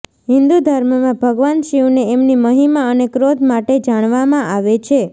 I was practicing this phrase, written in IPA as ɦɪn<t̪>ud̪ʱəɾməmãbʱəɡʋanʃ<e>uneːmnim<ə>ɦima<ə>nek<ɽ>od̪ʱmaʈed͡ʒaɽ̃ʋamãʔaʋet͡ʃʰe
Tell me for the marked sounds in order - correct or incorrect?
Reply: incorrect, incorrect, correct, correct, incorrect

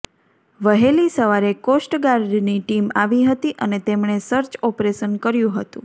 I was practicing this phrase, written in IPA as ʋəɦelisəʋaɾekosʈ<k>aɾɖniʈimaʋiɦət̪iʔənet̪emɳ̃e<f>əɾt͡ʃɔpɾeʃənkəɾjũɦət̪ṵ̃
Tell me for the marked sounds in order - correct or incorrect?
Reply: incorrect, incorrect

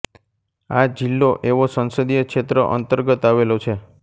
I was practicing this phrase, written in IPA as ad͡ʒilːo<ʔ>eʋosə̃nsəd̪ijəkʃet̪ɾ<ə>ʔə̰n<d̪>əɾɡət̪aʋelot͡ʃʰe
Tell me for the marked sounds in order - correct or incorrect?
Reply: correct, correct, incorrect

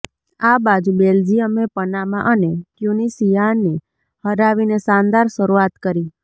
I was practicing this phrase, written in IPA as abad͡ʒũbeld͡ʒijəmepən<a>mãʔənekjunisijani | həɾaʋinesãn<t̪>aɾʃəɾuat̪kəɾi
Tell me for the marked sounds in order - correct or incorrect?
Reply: correct, incorrect

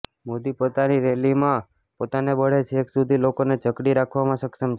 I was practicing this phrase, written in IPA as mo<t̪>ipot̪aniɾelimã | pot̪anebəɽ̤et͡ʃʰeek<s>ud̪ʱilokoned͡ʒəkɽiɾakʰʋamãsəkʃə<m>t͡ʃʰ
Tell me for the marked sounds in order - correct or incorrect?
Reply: incorrect, correct, correct

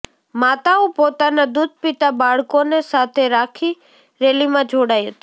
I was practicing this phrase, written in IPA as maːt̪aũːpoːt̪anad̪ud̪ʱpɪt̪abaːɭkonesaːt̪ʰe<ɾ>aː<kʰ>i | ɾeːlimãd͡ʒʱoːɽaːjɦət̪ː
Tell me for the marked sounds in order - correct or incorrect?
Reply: correct, correct

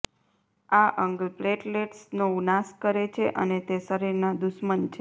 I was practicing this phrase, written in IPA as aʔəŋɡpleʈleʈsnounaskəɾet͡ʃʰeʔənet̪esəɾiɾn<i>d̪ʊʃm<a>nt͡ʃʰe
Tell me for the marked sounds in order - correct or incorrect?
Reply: incorrect, incorrect

